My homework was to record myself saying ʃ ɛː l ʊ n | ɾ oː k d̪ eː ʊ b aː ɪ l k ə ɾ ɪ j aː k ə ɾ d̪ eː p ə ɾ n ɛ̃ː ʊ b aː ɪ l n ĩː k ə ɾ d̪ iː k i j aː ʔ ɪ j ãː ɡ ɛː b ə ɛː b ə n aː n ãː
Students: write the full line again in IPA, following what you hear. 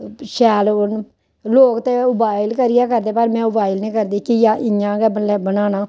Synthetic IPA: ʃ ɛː l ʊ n | l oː k t̪ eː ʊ b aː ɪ l k ə ɾ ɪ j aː k ə ɾ d̪ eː p ə ɾ m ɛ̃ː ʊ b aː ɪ l n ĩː k ə ɾ d̪ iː k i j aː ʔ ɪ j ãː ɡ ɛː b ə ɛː b ə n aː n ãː